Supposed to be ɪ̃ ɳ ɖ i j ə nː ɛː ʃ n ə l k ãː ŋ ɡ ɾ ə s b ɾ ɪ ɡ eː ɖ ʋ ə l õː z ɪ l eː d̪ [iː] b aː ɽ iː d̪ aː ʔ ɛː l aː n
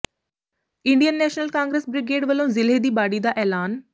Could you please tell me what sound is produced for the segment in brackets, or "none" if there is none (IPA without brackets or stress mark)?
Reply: iː